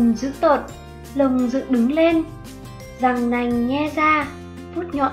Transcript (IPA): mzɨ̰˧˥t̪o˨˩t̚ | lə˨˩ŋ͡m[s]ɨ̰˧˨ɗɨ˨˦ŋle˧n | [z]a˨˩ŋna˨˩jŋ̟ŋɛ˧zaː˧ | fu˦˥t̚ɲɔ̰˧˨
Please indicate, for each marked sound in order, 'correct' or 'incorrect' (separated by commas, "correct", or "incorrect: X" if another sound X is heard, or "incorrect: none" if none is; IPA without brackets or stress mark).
incorrect: z, correct